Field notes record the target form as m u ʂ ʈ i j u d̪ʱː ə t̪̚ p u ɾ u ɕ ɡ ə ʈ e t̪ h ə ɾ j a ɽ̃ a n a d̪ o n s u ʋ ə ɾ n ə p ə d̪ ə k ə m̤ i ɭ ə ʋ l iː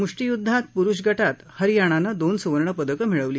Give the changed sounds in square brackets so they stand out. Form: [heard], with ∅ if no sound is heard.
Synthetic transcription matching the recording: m u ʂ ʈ i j u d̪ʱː [a] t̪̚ p u ɾ u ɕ ɡ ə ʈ [a] t̪ h ə ɾ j a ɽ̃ a n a d̪ o n s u ʋ ə ɾ [ɳ] ə p ə d̪ ə k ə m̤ i ɭ ə ʋ l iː